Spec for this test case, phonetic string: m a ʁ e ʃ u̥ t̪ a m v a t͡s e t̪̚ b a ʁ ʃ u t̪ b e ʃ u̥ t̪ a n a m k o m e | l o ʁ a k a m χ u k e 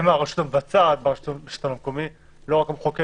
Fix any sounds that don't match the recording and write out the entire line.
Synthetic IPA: m a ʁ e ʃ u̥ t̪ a m v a t͡s a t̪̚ b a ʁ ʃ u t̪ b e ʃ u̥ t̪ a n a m k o m i | l o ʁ a k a m χ o k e